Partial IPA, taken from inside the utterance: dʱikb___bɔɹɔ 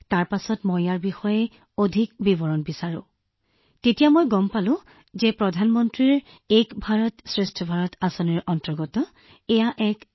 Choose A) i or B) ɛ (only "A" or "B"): A